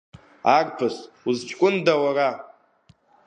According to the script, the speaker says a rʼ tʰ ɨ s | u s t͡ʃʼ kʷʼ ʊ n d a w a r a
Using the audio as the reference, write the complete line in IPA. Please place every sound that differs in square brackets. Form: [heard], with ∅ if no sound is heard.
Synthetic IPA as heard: a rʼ [pʰ] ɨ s | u [z] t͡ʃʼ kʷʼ ʊ n d a w a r a